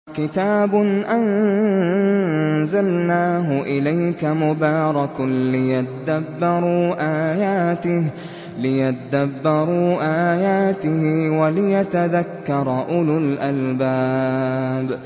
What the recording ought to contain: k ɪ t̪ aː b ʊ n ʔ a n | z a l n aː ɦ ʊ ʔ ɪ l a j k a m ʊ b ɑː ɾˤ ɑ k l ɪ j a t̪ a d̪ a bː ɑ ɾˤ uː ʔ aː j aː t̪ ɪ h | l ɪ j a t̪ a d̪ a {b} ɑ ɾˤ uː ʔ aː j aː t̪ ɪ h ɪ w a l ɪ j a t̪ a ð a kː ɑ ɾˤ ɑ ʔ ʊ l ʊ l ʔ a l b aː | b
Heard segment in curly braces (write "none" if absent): bː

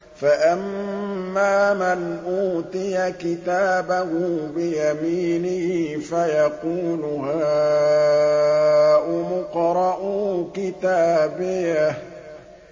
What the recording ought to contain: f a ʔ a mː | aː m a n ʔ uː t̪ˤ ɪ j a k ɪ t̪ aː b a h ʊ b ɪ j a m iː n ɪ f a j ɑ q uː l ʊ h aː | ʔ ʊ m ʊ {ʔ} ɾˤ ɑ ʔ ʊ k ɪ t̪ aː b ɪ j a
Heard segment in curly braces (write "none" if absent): q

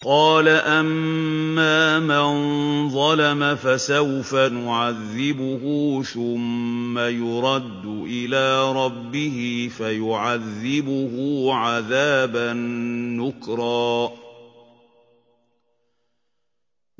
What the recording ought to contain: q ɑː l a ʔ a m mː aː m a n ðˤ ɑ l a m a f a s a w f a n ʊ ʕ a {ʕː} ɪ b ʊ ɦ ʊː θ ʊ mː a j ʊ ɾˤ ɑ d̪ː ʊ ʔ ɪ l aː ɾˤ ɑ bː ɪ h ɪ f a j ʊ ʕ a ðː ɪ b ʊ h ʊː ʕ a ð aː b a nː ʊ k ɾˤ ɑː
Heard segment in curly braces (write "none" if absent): ðː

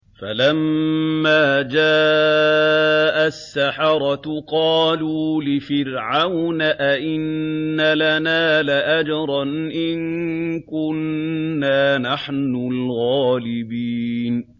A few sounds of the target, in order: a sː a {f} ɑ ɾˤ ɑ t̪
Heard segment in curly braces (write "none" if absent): ħ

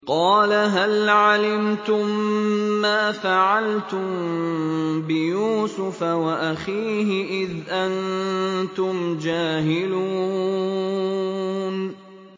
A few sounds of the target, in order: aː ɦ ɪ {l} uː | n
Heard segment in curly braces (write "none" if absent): l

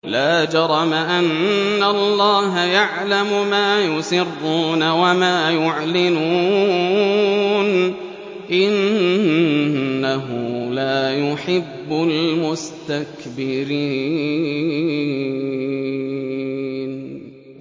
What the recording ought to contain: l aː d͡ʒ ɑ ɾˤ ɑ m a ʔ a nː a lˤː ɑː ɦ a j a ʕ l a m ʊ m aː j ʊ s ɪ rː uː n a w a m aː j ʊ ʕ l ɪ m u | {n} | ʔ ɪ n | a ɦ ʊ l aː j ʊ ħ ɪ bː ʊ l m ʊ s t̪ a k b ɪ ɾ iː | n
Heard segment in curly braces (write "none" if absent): n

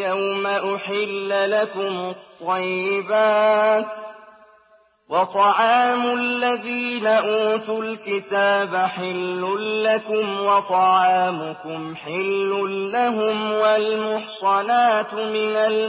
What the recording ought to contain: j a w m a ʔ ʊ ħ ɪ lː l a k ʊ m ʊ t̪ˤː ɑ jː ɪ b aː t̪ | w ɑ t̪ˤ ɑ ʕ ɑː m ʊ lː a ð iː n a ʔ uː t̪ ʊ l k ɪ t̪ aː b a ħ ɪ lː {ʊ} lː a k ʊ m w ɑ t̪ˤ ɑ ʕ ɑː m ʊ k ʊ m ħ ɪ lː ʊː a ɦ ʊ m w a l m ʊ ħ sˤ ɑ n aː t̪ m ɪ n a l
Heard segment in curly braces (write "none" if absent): ʊ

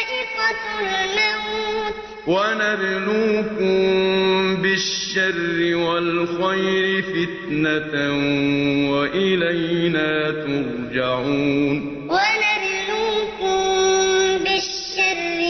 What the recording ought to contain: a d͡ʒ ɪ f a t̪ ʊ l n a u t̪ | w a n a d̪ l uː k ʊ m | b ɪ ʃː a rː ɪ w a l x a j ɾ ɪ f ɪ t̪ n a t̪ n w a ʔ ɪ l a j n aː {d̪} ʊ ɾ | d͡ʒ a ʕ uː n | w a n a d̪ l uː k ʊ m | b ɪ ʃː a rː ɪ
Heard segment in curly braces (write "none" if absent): t̪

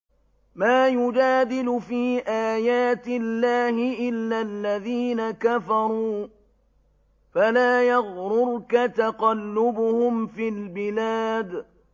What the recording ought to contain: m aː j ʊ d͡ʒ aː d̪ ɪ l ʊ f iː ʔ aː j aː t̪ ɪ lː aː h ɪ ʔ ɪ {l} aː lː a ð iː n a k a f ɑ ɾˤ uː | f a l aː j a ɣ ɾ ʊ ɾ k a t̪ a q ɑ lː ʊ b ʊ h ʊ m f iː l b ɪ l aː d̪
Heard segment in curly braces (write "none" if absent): lː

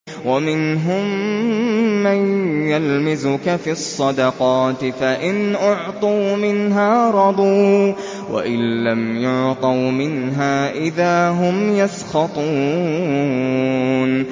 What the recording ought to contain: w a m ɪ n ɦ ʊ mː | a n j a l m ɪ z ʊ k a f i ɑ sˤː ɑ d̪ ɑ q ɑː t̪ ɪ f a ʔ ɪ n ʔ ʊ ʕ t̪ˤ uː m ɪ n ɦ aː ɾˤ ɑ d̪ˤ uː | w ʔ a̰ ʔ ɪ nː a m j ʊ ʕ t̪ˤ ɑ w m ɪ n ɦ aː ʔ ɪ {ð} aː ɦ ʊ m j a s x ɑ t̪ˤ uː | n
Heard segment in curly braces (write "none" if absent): ð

